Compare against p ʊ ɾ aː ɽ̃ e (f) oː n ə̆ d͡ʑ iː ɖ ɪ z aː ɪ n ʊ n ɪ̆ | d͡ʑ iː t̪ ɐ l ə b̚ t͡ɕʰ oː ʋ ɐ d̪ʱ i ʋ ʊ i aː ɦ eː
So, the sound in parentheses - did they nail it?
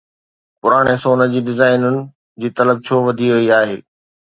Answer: no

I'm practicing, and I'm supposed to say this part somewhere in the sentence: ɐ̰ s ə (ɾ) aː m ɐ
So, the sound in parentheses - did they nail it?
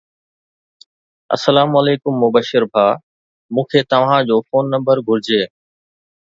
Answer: no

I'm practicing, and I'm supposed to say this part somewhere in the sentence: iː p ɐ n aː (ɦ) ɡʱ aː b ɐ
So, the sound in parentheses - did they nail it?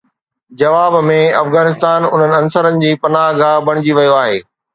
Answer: yes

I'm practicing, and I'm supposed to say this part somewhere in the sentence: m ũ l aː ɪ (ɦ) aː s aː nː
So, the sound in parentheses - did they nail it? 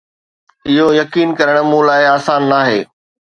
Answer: no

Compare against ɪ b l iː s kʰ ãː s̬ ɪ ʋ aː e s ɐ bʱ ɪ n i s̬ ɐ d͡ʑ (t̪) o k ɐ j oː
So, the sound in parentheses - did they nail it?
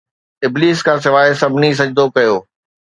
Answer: no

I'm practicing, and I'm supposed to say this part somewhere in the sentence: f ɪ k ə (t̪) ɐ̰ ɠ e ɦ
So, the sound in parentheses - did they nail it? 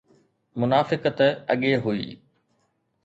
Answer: yes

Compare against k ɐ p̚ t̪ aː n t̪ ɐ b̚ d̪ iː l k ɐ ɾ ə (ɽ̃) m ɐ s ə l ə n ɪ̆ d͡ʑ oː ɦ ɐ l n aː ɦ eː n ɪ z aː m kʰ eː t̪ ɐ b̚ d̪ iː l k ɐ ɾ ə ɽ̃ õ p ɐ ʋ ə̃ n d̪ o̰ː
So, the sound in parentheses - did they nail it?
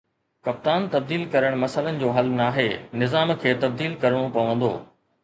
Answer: yes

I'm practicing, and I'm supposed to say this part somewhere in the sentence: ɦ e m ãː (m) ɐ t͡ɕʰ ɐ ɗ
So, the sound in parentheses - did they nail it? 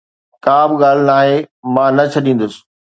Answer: no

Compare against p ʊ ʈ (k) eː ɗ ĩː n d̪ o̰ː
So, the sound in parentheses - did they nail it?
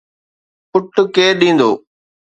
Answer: yes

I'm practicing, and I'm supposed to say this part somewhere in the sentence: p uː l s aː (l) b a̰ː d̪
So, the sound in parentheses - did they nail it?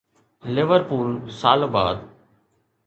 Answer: yes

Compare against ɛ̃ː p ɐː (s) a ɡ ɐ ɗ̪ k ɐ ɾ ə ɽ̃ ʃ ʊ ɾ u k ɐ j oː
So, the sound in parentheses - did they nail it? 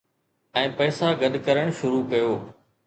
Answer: yes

